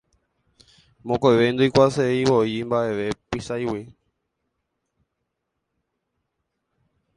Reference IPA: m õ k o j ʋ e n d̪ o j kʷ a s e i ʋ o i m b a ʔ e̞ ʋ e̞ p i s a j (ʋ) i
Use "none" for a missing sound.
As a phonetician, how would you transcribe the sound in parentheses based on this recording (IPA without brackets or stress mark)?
w